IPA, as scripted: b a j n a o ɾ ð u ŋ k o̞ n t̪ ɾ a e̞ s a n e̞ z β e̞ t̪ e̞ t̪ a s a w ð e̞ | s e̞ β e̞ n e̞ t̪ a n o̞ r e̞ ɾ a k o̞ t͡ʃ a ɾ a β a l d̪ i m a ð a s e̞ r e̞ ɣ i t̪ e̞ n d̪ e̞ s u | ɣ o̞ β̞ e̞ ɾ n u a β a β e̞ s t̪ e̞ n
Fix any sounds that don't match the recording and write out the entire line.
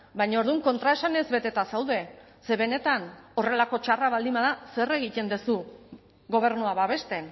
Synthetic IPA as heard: b a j ɲ a o ɾ ð u ŋ k o̞ n t̪ ɾ a e̞ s a n e̞ z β e̞ t̪ e̞ t̪ a s a w ð e̞ | s e̞ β e̞ n e̞ t̪ a n o̞ r e̞ l a k o̞ t͡ʃ a r a β a l d̪ i m a ð a s e̞ r e̞ ɣ i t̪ e̞ n d̪ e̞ s u | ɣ o̞ β̞ e̞ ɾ n u a β a β e̞ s t̪ e̞ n